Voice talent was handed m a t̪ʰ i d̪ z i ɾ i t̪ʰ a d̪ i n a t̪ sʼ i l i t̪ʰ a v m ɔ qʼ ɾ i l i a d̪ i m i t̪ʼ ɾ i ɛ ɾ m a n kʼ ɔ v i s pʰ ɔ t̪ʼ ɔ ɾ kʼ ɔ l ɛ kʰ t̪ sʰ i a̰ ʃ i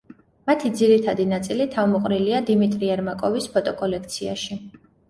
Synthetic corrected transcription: m a t̪ʰ i d̪ z i ɾ i t̪ʰ a d̪ i n a t̪ sʼ i l i t̪ʰ a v m ɔ qʼ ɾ i l i a d̪ i m i t̪ʼ ɾ i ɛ ɾ m a kʼ ɔ v i s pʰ ɔ t̪ʼ ɔ kʼ ɔ l ɛ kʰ t̪ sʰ i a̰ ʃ i